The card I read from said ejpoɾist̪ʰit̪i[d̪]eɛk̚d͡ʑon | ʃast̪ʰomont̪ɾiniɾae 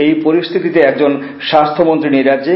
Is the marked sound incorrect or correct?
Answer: incorrect